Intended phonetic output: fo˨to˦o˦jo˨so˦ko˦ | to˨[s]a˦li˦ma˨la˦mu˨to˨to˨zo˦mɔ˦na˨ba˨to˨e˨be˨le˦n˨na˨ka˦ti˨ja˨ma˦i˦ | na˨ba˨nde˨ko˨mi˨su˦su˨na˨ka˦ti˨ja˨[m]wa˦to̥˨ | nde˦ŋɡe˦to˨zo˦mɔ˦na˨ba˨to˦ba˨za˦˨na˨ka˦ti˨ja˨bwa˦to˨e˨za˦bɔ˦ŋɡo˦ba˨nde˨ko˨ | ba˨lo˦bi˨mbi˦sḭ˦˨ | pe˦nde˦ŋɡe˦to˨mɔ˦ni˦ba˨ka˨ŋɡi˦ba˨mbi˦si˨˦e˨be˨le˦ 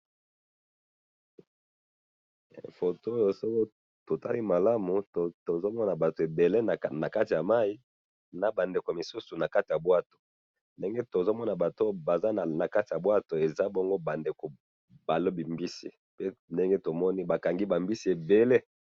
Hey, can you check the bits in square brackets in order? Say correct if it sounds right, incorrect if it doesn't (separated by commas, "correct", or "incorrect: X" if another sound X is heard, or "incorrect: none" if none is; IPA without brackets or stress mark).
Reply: incorrect: t, incorrect: b